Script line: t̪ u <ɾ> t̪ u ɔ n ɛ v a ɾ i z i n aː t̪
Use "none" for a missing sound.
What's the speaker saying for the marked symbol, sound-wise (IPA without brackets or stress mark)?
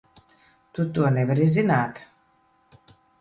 none